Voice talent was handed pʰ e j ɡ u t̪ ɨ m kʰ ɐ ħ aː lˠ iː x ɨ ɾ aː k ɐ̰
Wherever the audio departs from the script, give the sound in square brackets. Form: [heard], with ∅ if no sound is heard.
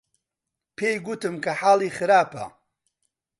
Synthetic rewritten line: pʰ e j ɡ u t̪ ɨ m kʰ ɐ ħ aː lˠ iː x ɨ ɾ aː [p] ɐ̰